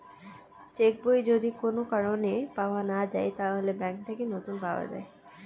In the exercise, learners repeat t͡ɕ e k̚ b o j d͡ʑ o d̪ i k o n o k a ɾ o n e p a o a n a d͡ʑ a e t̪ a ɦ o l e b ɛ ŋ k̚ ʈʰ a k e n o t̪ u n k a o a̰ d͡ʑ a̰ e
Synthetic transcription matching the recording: t͡ɕ e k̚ b o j d͡ʑ o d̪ i k o n o k a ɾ o n e p a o a n a d͡ʑ a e t̪ a ɦ o l e b ɛ ŋ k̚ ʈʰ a k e n o t̪ u n p a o a̰ d͡ʑ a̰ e